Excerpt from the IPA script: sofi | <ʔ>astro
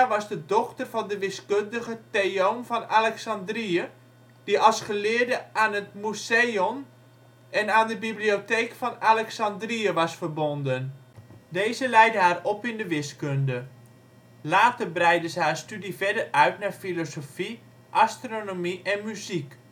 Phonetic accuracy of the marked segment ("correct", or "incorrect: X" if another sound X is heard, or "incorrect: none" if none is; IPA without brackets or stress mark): correct